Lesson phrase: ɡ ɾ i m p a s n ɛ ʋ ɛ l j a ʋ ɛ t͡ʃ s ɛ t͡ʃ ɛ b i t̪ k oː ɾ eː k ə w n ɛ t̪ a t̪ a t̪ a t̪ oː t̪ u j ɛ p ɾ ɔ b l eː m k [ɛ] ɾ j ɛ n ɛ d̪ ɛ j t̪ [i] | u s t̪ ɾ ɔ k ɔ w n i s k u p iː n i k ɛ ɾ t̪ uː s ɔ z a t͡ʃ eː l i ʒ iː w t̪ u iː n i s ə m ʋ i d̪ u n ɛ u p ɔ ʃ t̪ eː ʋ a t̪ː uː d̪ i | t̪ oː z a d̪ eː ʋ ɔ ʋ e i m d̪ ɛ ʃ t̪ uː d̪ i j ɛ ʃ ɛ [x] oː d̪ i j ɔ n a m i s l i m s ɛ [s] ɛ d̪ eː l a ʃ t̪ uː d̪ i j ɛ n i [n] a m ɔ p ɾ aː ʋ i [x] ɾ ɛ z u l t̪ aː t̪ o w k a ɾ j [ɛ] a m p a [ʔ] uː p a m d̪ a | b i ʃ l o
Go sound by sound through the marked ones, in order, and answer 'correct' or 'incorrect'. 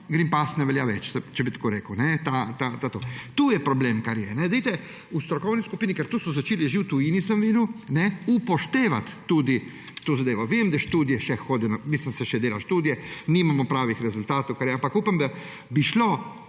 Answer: incorrect, incorrect, correct, incorrect, incorrect, correct, correct, incorrect

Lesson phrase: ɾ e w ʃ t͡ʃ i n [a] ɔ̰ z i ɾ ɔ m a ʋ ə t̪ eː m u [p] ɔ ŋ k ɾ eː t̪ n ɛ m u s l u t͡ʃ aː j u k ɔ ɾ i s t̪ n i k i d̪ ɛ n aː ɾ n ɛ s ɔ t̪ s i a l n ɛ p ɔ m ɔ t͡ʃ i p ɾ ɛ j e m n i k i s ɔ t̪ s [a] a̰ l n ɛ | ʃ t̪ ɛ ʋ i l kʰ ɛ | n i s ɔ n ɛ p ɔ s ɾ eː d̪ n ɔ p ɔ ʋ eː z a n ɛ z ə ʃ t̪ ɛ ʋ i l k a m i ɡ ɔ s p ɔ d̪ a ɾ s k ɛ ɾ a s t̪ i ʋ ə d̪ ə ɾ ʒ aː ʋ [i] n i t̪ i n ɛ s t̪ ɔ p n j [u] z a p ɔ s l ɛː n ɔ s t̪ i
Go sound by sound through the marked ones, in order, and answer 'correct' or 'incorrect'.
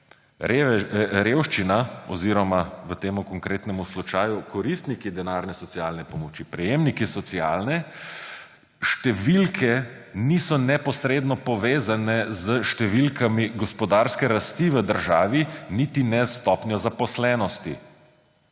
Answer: correct, incorrect, incorrect, correct, incorrect

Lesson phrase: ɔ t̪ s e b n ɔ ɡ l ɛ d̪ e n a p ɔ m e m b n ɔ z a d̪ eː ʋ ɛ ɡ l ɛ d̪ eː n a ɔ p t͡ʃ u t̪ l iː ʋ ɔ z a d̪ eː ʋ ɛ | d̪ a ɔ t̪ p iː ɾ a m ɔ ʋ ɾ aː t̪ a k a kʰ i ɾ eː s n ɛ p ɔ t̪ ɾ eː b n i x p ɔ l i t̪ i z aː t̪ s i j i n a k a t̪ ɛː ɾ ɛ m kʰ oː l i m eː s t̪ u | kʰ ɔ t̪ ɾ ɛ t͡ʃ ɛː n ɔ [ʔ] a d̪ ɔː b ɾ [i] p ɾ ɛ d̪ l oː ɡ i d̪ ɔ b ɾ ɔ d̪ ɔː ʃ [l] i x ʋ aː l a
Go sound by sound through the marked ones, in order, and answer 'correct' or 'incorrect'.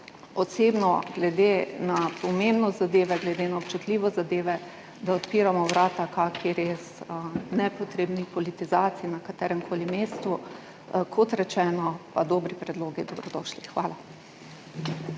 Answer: incorrect, correct, correct

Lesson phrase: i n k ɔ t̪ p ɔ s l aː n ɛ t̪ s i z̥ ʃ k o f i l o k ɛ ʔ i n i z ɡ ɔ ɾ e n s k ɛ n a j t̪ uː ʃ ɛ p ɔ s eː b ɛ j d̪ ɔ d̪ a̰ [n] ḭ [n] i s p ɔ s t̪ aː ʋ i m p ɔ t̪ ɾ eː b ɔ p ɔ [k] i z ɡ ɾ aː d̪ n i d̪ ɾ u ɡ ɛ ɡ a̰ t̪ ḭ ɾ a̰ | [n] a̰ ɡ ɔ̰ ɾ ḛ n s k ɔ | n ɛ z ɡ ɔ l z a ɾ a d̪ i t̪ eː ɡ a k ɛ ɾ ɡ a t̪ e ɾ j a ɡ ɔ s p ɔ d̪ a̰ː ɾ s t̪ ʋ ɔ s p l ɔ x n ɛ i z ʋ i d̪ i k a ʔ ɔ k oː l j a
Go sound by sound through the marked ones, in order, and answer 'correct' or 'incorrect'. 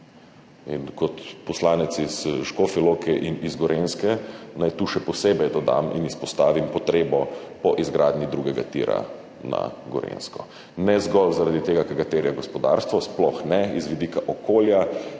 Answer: incorrect, correct, incorrect, correct

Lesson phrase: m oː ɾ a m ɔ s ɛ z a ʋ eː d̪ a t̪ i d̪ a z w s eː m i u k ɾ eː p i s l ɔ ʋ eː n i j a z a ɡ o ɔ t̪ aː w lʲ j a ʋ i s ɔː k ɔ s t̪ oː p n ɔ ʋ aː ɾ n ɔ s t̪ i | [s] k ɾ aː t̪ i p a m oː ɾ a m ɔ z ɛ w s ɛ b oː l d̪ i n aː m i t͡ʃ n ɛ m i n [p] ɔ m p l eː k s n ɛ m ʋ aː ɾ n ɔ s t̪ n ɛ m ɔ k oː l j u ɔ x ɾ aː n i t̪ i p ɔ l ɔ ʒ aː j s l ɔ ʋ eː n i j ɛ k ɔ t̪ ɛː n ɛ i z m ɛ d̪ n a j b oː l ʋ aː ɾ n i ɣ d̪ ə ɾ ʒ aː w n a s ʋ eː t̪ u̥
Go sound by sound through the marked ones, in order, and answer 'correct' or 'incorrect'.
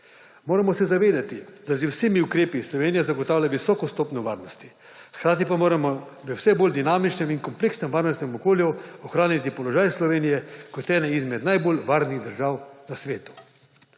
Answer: incorrect, incorrect

